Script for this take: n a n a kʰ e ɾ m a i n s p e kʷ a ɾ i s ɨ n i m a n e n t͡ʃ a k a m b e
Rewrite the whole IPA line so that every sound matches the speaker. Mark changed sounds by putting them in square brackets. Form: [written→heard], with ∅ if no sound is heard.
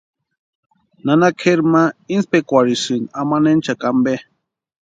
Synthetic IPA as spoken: n a n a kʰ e ɾ m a i n s p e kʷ a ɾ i s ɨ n [i→a] m a n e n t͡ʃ a k a m b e